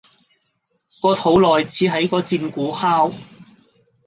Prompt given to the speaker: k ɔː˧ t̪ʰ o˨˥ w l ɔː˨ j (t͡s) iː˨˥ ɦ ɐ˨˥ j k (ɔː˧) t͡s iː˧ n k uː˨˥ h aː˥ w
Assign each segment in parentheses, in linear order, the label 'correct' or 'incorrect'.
incorrect: t͡sʰ, correct

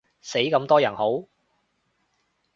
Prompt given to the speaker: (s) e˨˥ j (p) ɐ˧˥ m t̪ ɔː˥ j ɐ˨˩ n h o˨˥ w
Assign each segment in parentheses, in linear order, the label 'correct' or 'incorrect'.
correct, incorrect: k

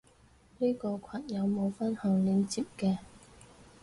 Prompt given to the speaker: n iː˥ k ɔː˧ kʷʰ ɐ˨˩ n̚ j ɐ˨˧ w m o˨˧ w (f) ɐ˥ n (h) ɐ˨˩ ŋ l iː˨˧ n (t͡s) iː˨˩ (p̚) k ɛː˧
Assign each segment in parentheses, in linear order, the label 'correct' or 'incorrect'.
correct, correct, correct, correct

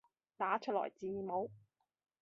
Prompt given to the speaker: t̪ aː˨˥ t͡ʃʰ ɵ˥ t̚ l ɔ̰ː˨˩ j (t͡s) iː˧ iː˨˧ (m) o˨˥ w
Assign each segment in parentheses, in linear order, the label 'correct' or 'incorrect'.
correct, correct

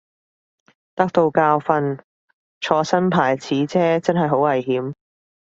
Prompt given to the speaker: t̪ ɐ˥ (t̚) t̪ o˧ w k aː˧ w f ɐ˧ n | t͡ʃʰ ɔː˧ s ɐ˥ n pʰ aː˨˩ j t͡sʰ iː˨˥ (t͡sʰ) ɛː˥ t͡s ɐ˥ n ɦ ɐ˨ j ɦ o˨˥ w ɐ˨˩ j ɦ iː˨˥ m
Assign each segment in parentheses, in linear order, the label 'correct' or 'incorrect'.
incorrect: k̚, correct

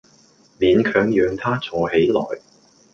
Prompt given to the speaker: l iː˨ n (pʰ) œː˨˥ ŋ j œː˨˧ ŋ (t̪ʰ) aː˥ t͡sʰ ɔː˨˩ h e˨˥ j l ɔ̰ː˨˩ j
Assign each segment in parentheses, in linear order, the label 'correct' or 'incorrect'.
incorrect: kʰ, correct

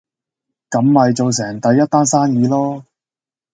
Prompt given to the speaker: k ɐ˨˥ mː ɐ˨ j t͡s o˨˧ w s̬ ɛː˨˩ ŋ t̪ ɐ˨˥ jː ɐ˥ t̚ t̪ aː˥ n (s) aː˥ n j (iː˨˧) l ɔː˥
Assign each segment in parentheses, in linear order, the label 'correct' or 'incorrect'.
correct, correct

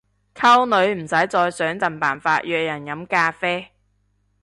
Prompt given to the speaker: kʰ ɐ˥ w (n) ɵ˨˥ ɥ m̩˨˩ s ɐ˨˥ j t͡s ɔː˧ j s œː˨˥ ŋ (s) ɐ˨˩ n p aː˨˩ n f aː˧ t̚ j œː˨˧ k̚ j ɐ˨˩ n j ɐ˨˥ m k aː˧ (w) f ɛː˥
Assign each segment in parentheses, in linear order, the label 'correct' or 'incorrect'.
correct, incorrect: t͡s, incorrect: none

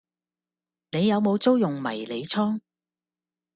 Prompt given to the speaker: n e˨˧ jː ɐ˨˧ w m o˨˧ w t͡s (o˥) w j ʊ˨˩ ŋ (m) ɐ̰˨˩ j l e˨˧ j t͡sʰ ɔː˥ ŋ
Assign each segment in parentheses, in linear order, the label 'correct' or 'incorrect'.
correct, correct

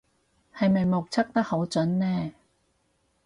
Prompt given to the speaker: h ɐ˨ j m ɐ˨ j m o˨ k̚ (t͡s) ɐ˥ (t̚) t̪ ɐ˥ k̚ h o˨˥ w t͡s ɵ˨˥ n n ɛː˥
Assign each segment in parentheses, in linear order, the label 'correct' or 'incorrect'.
incorrect: t͡sʰ, incorrect: k̚

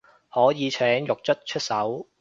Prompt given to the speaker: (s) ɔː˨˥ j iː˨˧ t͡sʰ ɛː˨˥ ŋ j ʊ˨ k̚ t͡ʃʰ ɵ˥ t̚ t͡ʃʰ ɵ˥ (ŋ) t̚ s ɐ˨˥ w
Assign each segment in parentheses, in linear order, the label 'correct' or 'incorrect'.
incorrect: h, incorrect: none

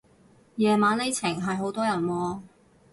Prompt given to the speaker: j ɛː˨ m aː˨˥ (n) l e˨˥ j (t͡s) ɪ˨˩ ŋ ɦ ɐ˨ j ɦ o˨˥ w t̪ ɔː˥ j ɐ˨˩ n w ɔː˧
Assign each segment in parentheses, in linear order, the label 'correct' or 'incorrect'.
correct, incorrect: t͡sʰ

